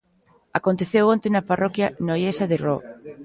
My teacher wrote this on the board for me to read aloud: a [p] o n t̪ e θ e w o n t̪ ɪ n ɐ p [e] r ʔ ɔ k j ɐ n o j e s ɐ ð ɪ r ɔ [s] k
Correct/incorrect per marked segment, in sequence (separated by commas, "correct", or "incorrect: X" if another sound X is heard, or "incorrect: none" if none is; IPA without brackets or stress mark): incorrect: k, incorrect: a, incorrect: none